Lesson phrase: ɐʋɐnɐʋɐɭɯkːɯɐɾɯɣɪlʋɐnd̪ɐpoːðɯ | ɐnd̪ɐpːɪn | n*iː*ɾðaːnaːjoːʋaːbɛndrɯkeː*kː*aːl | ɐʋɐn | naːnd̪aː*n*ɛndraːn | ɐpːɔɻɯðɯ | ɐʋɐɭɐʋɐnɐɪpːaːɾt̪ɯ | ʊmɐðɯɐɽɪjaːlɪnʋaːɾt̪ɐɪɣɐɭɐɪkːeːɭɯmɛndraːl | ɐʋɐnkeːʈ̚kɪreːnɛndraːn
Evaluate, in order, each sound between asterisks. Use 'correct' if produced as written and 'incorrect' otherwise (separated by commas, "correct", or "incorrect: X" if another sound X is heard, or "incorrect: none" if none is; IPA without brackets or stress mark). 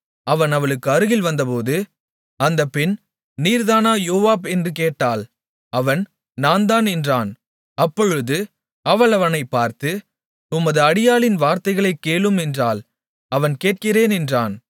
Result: correct, incorrect: ʈː, correct